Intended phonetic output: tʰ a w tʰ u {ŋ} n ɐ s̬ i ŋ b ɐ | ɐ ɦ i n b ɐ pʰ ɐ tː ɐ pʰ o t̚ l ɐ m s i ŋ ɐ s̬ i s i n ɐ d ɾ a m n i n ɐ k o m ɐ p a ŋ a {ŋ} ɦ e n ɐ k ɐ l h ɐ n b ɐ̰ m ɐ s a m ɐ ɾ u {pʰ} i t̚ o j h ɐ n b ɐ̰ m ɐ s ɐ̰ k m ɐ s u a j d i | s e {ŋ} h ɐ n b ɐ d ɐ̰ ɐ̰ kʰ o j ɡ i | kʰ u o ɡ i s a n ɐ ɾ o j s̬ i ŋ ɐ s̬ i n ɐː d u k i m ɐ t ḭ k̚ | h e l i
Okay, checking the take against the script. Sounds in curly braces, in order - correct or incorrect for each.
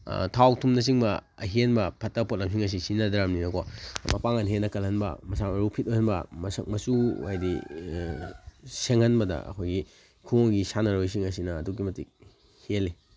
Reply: incorrect: m, incorrect: n, correct, correct

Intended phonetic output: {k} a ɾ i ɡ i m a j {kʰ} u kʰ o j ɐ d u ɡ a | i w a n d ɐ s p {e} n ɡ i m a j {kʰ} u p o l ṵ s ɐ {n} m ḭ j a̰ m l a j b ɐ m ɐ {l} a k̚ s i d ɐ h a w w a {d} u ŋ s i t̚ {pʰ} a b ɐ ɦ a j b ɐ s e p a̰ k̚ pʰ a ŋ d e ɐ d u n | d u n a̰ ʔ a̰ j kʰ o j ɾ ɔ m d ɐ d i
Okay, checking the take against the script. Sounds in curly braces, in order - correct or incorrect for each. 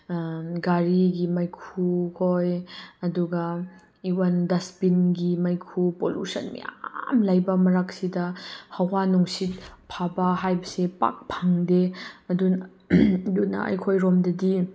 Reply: incorrect: ɡ, correct, incorrect: i, correct, correct, incorrect: ɾ, incorrect: n, correct

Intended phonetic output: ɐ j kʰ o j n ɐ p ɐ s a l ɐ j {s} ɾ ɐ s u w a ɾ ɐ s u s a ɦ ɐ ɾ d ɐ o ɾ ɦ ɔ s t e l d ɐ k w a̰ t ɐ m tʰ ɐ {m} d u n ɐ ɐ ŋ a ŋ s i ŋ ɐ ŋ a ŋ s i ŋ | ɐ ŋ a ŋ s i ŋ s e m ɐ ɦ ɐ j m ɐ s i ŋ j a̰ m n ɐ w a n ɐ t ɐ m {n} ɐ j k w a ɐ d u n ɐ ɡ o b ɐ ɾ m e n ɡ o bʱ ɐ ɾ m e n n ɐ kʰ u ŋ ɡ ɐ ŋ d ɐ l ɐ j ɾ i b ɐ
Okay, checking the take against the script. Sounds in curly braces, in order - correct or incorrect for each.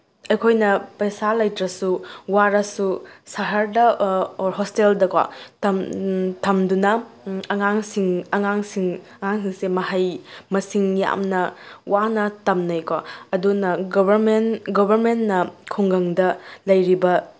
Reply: incorrect: t, correct, correct

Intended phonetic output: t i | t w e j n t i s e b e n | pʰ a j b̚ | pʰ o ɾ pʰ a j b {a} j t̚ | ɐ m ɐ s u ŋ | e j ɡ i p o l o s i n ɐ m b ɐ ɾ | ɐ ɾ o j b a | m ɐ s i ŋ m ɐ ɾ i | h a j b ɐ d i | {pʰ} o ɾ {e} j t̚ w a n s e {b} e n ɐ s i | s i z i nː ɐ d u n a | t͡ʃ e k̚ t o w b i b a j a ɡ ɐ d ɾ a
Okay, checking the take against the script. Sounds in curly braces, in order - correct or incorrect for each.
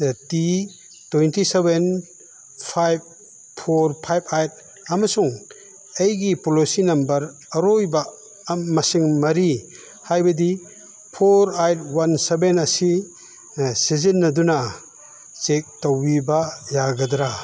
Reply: correct, correct, incorrect: a, correct

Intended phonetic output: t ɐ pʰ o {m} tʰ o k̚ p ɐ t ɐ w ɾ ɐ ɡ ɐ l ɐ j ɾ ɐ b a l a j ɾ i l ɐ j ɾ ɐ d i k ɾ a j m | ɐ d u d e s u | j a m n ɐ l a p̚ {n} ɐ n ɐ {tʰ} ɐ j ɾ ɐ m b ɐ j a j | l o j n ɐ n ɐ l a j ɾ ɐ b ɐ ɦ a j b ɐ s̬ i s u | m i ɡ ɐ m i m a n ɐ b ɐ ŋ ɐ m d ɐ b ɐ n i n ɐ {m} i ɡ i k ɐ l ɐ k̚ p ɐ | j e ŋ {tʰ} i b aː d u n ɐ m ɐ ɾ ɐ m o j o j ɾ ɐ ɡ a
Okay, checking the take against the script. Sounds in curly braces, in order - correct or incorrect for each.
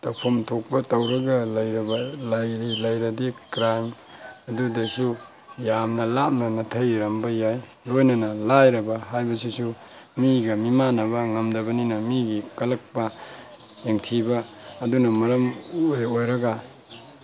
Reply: correct, correct, correct, correct, correct

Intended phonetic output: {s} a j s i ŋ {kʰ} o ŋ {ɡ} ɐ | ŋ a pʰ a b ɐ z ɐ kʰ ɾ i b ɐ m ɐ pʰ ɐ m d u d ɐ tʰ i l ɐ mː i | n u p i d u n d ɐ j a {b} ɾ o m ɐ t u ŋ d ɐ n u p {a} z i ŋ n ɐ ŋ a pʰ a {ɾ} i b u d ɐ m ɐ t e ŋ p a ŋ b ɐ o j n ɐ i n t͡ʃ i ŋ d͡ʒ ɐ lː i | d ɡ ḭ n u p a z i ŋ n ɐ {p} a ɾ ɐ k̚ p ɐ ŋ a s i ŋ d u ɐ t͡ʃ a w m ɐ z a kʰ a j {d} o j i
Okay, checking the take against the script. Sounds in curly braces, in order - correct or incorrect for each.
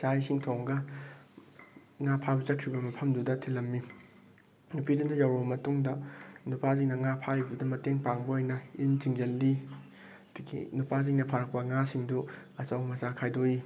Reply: correct, incorrect: tʰ, correct, incorrect: w, correct, correct, incorrect: pʰ, correct

